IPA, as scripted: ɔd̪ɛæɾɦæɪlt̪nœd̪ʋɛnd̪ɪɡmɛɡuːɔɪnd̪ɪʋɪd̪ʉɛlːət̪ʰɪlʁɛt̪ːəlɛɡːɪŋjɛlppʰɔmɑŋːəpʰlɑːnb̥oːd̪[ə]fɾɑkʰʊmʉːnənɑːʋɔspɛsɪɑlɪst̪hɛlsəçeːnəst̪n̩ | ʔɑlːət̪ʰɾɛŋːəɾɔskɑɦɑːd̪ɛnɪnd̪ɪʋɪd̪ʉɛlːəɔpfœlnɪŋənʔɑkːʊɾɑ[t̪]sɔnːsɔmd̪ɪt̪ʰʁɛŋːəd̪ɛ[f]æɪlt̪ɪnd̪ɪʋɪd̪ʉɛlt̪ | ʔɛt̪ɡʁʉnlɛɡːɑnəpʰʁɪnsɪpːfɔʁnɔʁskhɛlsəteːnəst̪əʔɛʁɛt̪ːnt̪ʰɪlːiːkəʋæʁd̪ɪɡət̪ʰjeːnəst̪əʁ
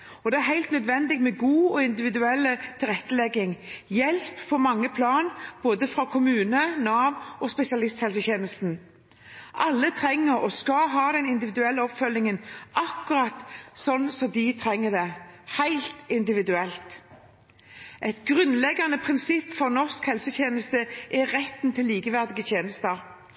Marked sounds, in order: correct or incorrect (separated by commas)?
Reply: correct, correct, incorrect